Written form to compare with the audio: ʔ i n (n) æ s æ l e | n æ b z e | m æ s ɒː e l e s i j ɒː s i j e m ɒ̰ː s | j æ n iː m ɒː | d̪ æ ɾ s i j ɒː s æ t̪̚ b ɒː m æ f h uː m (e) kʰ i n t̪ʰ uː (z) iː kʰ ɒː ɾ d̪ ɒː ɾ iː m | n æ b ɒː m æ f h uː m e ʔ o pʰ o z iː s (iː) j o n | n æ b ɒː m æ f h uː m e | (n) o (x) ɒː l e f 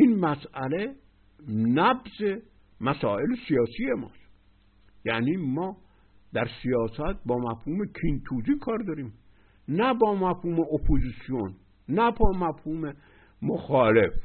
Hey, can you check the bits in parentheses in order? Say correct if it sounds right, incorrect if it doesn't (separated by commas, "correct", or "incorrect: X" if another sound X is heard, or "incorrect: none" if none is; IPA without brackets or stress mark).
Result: incorrect: m, correct, correct, incorrect: i, incorrect: m, correct